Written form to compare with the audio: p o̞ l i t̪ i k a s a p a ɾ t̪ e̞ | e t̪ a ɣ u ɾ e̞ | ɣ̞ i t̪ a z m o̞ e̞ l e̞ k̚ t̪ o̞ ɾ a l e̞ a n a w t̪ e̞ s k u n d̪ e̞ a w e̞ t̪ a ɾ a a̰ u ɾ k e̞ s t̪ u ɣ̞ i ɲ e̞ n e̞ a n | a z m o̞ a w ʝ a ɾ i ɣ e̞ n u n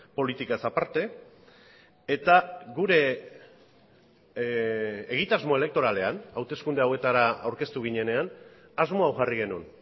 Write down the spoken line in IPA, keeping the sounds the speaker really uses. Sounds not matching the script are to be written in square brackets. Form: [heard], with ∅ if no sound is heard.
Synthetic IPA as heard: p o̞ l i t̪ i k a s a p a ɾ t̪ e̞ | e t̪ a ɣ u ɾ e̞ | ɣ̞ i t̪ a z m o̞ e̞ l e̞ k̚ t̪ o̞ ɾ a l e̞ a n a w t̪ e̞ s k u n d̪ e̞ a w e̞ t̪ a ɾ a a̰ [w] ɾ k e̞ s t̪ u ɣ̞ i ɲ e̞ n e̞ a n | a z m o̞ a w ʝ a [r] i ɣ e̞ n u n